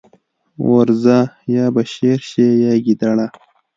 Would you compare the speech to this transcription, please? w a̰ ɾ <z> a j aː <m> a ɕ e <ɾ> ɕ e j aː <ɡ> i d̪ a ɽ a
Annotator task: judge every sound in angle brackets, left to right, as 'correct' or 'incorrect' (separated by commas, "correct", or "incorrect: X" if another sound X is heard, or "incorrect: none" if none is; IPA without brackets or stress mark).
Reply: correct, incorrect: b, correct, correct